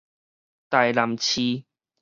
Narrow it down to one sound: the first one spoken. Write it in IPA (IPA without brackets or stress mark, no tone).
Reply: t̪